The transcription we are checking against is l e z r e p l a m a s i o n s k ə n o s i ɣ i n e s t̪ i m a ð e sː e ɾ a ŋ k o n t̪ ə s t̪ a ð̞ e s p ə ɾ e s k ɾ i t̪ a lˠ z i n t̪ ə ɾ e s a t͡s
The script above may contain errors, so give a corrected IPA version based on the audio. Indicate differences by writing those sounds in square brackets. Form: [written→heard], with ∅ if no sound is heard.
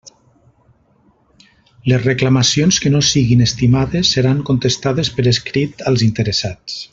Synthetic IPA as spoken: l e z r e [p→k] l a m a s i o n s k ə n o s i ɣ i n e s t̪ i m a ð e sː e ɾ a ŋ k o n t̪ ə s t̪ a ð̞ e s p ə ɾ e s k ɾ i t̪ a lˠ z i n t̪ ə ɾ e s a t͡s

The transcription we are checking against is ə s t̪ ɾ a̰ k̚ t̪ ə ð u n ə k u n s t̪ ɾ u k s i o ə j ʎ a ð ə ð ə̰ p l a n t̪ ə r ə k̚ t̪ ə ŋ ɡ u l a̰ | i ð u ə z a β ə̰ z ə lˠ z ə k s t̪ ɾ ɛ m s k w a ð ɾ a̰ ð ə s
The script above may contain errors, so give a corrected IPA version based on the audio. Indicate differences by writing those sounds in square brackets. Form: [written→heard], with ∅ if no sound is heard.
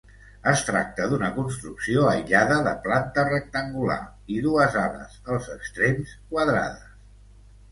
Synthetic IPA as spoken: ə s t̪ ɾ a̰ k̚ t̪ ə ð u n ə k u n s t̪ ɾ u k s i o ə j ʎ a ð ə ð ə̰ p l a n t̪ ə r ə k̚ t̪ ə ŋ ɡ u l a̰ | i ð u ə z a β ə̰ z ə lˠ z ə k s t̪ ɾ [ɛ→e] m s k w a ð ɾ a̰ ð ə s

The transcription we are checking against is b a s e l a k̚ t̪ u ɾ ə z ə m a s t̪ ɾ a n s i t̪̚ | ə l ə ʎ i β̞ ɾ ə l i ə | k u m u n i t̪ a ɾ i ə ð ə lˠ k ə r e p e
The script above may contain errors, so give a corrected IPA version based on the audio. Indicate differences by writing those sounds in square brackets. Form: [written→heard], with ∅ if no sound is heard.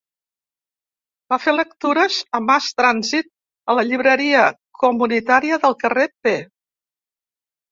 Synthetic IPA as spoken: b a [s→f] e l [a→ə] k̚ t̪ u ɾ ə z ə m a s t̪ ɾ a n [s→z] i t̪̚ | ə l ə ʎ i β̞ ɾ ə [l→ɾ] i ə | k u m u n i t̪ a ɾ i ə ð ə lˠ k ə r e p e

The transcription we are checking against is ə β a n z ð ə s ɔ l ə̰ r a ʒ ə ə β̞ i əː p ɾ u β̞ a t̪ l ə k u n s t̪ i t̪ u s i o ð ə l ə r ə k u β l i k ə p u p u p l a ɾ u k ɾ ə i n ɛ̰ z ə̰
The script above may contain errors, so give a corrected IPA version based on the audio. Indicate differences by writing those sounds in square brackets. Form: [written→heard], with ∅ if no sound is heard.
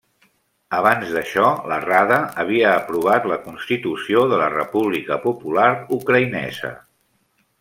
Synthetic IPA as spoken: ə β a n z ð ə [s→ʃ] ɔ l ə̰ r a [ʒ→ð] ə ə β̞ i əː p ɾ u β̞ a t̪ l ə k u n s t̪ i t̪ u s i o ð ə l ə r ə [k→p] u β l i k ə p u p u [p→∅] l a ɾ u k ɾ ə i n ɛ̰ z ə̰

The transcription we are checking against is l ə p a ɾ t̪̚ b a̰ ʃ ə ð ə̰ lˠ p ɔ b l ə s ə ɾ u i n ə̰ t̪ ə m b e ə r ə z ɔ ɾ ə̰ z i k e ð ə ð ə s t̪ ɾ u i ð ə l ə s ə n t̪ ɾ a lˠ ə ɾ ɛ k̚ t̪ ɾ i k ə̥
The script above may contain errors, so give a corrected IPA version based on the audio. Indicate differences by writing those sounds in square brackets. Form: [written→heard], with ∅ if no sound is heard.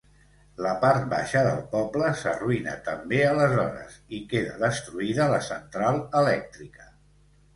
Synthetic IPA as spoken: l ə p a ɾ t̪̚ b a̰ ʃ ə ð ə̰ lˠ p ɔ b l ə s ə [ɾ→r] u i n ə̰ t̪ ə m b e ə [r→l] ə z ɔ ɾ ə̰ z i k e ð ə ð ə s t̪ ɾ u i ð ə l ə s ə n t̪ ɾ a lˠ ə [ɾ→l] ɛ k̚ t̪ ɾ i k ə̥

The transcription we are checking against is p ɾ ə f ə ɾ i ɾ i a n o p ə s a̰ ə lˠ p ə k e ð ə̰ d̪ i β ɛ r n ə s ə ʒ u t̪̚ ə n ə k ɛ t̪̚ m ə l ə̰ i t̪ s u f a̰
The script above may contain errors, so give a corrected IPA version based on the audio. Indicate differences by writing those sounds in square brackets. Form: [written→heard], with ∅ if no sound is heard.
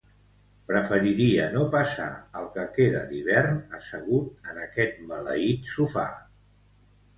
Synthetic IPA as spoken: p ɾ ə f ə ɾ i ɾ i [a→ə] n o p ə s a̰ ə lˠ [p→k] ə k e ð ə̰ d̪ i β ɛ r n ə s ə [ʒ→ɣ] u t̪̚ ə n ə k ɛ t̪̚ m ə l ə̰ i t̪ s u f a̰

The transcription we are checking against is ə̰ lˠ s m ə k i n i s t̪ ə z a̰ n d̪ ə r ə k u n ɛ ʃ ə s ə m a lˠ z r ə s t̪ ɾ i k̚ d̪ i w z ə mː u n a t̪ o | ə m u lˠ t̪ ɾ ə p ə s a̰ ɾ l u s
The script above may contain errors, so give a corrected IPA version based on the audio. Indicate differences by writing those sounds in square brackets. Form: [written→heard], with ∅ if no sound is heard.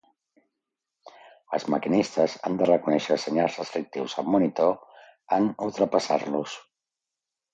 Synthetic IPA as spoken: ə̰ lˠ [s→z] m ə k i n i s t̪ ə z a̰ n d̪ ə r ə k u n ɛ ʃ ə s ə [m→ɲ] a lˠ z r ə s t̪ ɾ i k̚ [d̪→t̪] i w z ə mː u n [a→i] t̪ o | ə [m→n] u lˠ t̪ ɾ ə p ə s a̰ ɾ l u s

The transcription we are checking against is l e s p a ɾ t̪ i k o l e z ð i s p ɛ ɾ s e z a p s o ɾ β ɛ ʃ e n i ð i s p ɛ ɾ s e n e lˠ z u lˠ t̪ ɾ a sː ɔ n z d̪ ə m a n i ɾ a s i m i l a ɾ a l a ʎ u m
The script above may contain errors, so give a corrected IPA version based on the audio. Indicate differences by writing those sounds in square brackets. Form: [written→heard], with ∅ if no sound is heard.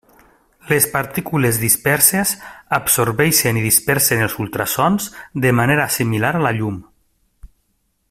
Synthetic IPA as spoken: l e s p a ɾ t̪ i k [o→u] l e z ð i s p ɛ ɾ s e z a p s o ɾ β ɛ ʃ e n i ð i s p ɛ ɾ s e n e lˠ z u lˠ t̪ ɾ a [sː→s] ɔ n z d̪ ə m a n [i→e] ɾ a s i m i l a ɾ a l a ʎ u m

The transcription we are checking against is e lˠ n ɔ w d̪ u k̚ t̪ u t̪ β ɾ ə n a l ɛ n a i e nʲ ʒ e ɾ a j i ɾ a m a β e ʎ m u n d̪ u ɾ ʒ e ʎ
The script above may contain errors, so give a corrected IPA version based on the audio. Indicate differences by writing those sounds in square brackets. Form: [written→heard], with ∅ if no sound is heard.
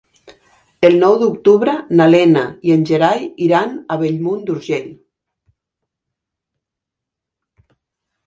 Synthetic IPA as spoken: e lˠ n ɔ w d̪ u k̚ t̪ u [t̪→∅] β ɾ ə n a l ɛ n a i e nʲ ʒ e ɾ a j i ɾ a [m→n] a β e ʎ m u n d̪ u ɾ ʒ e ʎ

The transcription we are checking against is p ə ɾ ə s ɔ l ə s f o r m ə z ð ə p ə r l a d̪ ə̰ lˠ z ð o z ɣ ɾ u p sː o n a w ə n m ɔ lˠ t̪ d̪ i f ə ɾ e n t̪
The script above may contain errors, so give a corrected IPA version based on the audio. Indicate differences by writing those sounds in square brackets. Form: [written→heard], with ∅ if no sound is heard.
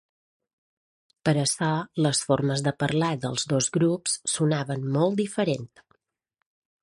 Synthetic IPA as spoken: p ə ɾ ə s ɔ l ə s f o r m ə z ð ə p ə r l a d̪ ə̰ lˠ z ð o z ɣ ɾ u p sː [o→u] n a [w→β] ə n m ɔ lˠ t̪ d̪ i f ə ɾ e n t̪

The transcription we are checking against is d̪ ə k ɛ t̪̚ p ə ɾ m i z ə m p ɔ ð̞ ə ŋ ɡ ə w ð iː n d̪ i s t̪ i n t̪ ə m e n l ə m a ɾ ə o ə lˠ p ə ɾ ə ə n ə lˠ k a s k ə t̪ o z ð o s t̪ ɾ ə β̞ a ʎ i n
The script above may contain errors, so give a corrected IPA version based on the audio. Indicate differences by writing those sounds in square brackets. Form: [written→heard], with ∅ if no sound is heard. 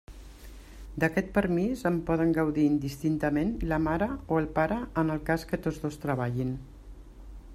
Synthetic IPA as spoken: d̪ ə k ɛ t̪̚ p ə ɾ m i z ə m p ɔ ð̞ ə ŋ ɡ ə w ð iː n d̪ i s t̪ i n t̪ ə m e n l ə m a ɾ ə o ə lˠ p [ə→a] ɾ ə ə n ə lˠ k a s k ə t̪ o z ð o s t̪ ɾ ə β̞ a ʎ i n

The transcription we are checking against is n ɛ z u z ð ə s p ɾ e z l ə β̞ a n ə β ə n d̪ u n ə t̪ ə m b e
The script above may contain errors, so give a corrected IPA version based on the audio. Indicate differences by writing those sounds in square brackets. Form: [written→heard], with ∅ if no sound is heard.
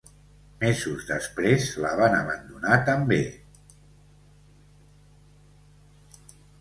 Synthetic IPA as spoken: [n→m] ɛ z u z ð ə s p ɾ e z l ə β̞ a n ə β ə n d̪ u n [ə→a] t̪ ə m b e

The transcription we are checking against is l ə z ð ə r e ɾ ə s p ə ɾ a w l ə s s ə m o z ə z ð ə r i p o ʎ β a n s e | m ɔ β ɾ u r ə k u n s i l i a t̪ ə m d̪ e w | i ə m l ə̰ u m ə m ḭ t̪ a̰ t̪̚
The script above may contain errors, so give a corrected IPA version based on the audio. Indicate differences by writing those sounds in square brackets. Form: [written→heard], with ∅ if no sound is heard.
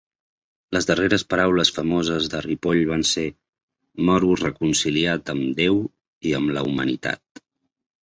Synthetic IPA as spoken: l ə z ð ə r e ɾ ə s p ə ɾ a w l ə s [s→f] ə m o z ə z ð ə r i p o ʎ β a n s e | m ɔ [β→∅] ɾ u r ə k u n s i l i a t̪ ə m d̪ e w | i ə m l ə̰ u m ə [m→n] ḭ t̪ a̰ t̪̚

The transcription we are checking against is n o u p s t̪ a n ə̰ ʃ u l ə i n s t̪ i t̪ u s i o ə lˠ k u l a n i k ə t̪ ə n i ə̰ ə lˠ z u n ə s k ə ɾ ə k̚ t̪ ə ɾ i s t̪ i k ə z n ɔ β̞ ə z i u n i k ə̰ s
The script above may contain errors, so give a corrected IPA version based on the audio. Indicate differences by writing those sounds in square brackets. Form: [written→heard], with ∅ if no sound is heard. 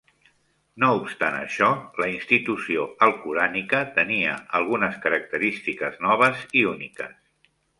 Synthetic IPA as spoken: n o u p s t̪ a n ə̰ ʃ [u→ɔ] l ə i n s t̪ i t̪ u s i o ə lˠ k u [l→ɾ] a n i k ə t̪ ə n i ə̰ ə lˠ [z→ɣ] u n ə s k ə ɾ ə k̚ t̪ ə ɾ i s t̪ i k ə z n ɔ β̞ ə z i u n i k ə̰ s

